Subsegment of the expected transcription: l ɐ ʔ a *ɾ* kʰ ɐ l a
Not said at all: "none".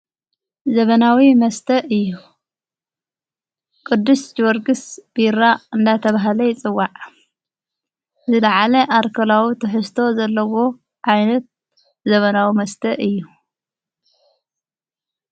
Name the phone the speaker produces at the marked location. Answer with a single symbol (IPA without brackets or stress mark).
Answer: ɾ